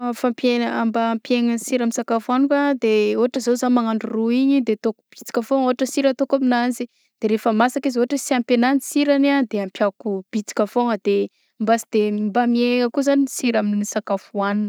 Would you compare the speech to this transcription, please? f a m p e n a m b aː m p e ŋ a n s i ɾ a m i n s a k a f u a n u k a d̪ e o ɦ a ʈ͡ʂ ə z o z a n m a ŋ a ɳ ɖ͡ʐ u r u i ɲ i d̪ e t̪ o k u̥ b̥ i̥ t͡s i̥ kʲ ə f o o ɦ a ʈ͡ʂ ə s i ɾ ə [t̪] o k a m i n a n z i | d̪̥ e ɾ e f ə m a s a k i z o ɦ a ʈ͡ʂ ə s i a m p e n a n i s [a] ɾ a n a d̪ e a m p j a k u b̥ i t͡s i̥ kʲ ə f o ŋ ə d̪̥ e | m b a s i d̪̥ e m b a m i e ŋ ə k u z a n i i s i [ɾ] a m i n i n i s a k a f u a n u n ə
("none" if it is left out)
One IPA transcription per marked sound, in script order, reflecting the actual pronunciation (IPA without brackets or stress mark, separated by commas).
t̪, i, ɾ